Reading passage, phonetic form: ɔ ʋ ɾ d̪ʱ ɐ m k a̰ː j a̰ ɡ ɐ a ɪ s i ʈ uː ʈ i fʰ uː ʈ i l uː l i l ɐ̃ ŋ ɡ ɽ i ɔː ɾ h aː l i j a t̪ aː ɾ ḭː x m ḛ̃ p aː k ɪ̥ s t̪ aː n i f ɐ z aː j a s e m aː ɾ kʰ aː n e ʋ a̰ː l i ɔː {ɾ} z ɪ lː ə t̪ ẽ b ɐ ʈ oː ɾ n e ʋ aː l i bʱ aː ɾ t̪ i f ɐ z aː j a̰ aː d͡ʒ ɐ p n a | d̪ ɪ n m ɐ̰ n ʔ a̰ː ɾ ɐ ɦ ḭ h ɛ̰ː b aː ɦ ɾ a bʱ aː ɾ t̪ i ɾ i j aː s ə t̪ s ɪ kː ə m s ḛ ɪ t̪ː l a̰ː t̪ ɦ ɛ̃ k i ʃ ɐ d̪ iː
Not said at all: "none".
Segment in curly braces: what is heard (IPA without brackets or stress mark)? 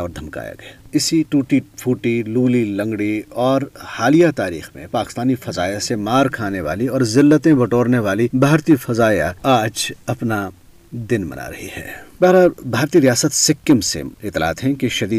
ɾ